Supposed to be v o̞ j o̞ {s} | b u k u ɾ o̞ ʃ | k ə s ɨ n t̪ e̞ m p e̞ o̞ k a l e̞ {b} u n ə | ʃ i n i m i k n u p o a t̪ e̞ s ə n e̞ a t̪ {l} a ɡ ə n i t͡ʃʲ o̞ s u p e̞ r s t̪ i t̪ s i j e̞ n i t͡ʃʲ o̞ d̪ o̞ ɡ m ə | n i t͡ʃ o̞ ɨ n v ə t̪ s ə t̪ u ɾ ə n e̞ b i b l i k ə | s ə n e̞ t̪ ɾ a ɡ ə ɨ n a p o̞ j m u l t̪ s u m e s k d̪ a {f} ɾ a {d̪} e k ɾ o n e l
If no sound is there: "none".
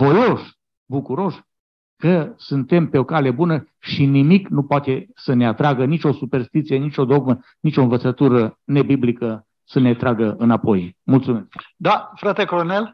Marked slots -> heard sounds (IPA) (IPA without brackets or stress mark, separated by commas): ʃ, b, ɾ, f, t̪